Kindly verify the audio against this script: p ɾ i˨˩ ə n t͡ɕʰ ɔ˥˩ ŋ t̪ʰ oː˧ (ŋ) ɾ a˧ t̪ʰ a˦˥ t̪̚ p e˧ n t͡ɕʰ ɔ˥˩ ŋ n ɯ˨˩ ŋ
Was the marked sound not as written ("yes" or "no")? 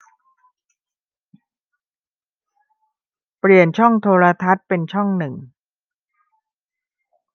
yes